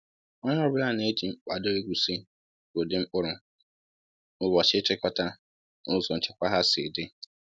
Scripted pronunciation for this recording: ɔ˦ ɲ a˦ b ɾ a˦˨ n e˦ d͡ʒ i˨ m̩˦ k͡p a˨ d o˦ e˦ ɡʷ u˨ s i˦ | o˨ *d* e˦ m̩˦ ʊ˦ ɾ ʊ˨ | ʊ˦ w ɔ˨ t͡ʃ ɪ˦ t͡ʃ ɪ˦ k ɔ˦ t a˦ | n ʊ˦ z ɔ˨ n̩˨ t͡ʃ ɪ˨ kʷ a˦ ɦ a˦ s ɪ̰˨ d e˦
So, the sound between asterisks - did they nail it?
yes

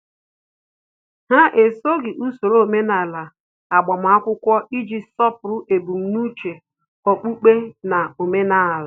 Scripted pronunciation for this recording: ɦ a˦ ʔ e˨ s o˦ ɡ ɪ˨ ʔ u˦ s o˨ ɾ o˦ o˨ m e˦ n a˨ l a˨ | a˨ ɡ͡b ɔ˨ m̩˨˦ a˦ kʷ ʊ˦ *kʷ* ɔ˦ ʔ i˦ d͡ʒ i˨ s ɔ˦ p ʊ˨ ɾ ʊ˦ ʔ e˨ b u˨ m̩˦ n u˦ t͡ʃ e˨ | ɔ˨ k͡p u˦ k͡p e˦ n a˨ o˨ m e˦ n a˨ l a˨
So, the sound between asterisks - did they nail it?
yes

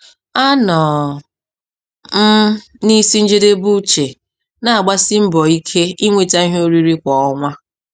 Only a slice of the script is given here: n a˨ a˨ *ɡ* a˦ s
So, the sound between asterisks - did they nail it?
no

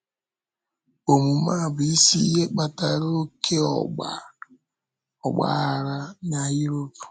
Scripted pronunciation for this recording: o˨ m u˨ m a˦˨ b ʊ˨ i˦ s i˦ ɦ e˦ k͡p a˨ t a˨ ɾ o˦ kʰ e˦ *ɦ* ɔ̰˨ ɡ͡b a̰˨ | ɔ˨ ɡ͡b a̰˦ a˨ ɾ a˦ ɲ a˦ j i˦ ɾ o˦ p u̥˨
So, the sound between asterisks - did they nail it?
no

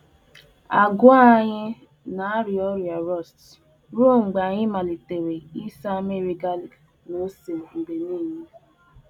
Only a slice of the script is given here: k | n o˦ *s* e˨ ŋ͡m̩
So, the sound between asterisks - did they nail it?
yes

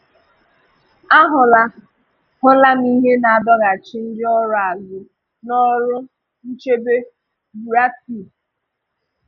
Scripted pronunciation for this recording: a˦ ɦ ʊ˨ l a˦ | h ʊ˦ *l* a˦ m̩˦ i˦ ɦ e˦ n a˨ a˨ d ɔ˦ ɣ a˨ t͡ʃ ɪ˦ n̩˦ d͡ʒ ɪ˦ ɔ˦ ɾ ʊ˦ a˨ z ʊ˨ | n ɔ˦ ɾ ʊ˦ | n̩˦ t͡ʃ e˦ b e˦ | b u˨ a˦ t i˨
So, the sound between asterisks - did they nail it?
yes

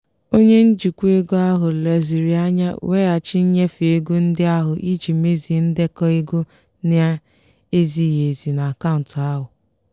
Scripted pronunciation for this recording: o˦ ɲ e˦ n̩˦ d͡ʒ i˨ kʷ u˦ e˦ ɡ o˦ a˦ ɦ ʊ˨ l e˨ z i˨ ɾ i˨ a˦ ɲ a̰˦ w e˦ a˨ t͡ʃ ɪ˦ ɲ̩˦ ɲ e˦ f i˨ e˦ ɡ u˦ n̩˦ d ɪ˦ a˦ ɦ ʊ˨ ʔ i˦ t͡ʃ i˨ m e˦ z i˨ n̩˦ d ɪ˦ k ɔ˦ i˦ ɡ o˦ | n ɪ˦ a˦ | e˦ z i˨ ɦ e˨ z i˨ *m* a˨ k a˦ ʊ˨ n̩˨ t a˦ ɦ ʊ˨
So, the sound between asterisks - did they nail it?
no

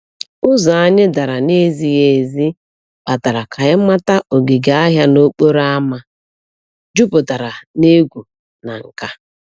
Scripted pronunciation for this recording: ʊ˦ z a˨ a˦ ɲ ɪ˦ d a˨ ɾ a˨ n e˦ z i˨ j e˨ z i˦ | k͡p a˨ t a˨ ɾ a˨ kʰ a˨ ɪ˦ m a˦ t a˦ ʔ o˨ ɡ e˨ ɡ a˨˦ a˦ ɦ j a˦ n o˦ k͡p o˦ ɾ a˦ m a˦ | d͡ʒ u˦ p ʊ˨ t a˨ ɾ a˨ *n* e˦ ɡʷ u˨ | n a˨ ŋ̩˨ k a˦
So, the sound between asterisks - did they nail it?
yes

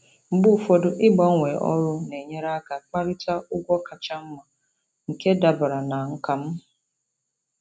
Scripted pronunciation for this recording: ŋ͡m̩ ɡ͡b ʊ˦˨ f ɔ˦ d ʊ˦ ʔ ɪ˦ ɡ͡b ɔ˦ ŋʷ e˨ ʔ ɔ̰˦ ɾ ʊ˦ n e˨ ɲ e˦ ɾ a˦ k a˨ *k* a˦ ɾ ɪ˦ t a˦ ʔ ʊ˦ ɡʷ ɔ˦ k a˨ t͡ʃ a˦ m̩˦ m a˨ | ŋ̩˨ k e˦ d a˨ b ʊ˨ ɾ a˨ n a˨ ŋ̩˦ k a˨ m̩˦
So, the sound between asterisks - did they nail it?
no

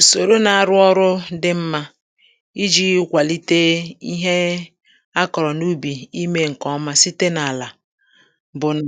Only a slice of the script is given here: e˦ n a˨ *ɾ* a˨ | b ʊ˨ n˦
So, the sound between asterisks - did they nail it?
no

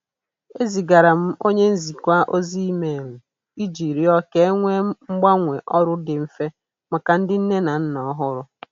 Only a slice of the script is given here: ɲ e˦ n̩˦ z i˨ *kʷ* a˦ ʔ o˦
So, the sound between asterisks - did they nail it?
yes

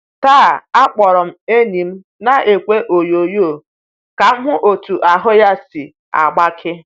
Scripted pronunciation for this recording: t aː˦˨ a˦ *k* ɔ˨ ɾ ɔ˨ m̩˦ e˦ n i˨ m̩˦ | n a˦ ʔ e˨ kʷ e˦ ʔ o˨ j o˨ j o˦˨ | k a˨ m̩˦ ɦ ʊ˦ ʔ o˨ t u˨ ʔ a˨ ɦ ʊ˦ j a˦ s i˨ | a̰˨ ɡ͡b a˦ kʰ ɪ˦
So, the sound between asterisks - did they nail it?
no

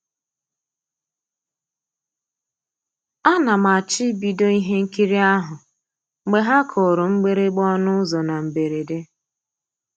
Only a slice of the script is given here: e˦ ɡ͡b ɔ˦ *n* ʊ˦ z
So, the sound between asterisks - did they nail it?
yes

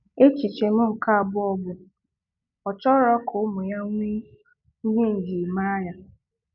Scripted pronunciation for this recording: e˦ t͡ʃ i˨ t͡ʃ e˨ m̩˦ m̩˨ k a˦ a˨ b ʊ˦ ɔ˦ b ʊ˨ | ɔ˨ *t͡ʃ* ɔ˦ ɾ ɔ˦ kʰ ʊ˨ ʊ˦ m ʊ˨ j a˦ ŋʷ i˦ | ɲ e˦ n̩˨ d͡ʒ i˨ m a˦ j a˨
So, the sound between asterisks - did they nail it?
yes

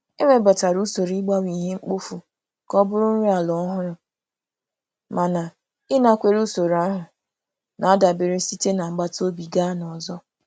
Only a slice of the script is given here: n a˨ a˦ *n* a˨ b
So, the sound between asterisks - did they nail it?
no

